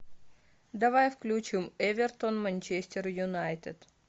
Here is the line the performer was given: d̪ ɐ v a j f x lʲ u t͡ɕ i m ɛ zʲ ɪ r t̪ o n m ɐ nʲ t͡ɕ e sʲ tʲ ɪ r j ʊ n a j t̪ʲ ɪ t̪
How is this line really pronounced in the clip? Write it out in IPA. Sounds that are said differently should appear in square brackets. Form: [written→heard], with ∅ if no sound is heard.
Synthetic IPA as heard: d̪ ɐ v a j f [x→k] lʲ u t͡ɕ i m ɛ [zʲ→vʲ] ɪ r t̪ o n m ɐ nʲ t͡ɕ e sʲ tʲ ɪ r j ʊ n a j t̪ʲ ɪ t̪

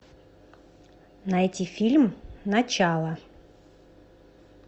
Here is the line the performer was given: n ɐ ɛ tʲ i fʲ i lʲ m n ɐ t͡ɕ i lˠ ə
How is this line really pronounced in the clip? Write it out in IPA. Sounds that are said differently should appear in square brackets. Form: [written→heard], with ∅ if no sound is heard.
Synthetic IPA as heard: n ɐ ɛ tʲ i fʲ i lʲ m n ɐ t͡ɕ [i→a] lˠ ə

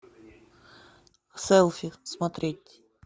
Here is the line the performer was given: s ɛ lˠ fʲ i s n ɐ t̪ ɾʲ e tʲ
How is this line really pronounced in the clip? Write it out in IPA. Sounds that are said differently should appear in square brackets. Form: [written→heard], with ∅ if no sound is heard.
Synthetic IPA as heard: s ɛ lˠ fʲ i s [n→m] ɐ t̪ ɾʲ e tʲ

